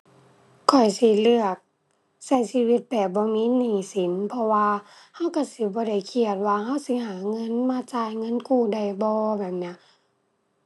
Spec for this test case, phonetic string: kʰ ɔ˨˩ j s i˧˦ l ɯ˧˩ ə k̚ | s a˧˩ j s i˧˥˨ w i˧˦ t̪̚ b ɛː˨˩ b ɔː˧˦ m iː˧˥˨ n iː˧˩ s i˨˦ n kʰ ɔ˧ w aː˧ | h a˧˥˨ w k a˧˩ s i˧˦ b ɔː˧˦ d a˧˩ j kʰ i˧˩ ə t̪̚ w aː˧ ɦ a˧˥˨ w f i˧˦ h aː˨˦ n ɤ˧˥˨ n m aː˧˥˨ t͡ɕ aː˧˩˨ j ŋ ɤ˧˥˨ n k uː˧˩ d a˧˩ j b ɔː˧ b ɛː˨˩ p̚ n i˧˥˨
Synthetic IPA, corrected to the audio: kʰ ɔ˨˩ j s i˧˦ l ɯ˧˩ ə k̚ | s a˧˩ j s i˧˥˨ w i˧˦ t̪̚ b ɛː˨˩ b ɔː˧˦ m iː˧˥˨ n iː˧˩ s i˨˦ n pʰ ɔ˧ w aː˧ | h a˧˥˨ w k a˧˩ s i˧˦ b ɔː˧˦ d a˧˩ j kʰ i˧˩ ə t̪̚ w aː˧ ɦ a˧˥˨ w s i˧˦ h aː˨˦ ŋ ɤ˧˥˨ n m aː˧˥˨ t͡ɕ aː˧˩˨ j ŋ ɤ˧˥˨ n k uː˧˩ d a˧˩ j b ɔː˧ b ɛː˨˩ p̚ n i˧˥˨